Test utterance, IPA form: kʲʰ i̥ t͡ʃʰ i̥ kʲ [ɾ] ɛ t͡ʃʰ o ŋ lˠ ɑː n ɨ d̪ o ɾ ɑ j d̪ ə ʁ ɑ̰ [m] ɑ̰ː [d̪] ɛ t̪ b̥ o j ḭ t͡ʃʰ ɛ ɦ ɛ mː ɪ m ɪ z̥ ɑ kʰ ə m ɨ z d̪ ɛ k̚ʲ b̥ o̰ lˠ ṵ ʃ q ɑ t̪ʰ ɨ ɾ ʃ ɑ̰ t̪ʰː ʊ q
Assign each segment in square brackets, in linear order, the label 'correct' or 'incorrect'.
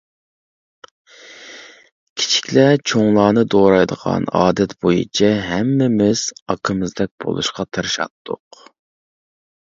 incorrect: l, incorrect: n, correct

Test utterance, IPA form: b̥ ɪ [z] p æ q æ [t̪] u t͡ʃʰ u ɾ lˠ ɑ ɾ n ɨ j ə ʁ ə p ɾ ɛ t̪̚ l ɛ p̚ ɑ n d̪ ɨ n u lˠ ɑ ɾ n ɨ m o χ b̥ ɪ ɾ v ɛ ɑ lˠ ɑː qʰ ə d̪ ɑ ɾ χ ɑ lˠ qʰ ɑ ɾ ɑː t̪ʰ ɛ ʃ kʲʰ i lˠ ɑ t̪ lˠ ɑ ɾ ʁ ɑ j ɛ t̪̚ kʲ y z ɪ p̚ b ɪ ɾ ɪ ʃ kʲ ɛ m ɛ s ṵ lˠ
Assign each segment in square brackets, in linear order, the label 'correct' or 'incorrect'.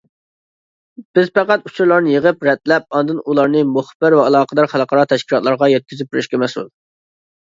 correct, correct

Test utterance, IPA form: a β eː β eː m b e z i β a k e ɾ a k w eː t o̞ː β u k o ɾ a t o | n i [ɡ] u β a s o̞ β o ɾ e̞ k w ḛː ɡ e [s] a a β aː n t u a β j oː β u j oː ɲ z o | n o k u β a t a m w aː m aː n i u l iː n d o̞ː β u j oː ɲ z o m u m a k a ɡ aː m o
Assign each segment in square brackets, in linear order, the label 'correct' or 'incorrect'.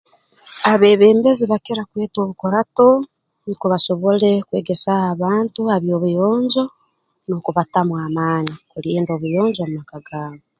incorrect: k, correct

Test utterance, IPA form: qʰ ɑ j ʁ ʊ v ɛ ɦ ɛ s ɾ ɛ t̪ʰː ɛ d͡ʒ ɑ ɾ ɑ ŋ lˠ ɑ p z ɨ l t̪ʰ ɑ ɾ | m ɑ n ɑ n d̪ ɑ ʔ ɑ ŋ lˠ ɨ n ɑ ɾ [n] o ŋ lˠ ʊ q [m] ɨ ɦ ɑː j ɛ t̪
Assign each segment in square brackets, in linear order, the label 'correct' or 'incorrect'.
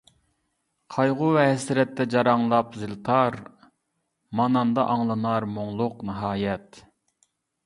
incorrect: m, incorrect: n

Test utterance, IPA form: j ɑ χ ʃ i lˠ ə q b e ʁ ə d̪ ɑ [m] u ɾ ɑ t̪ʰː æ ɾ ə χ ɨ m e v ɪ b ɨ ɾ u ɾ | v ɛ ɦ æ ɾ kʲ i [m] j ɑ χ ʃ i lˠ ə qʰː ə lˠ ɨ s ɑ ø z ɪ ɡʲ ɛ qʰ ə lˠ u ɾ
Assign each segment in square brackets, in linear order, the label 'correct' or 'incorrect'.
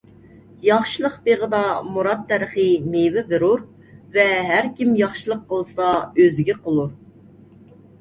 correct, correct

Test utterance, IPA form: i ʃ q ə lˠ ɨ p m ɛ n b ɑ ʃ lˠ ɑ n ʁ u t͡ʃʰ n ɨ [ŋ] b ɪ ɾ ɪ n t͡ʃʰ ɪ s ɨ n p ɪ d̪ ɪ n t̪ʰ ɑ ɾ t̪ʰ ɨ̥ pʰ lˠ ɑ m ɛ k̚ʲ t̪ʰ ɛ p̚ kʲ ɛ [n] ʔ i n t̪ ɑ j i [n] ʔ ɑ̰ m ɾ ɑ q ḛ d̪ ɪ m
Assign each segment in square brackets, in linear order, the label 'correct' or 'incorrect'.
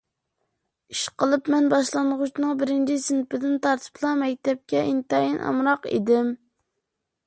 correct, incorrect: none, correct

